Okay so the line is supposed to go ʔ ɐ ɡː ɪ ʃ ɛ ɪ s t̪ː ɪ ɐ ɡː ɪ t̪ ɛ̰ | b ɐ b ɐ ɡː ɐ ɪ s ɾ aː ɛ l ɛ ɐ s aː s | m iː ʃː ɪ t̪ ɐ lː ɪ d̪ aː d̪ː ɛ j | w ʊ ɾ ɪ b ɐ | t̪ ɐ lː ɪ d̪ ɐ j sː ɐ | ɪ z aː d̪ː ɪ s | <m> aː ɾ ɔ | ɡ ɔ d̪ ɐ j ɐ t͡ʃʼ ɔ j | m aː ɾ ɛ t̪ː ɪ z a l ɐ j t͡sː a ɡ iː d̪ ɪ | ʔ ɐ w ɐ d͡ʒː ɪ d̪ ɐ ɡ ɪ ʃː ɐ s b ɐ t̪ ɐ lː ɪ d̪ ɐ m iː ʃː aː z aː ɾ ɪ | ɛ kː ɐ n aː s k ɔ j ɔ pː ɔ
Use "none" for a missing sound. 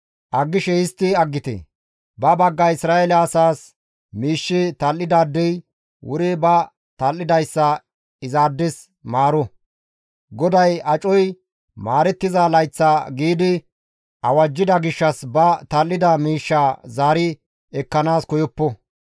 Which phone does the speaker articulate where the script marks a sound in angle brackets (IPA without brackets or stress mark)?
m